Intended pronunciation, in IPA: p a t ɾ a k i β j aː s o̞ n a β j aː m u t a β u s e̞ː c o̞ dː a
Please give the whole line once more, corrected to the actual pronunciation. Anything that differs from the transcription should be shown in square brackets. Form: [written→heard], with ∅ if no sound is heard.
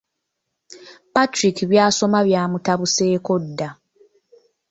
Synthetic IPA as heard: p a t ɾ [a→i] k i β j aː s o̞ [n→m] a β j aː m u t a β u s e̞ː [c→k] o̞ dː a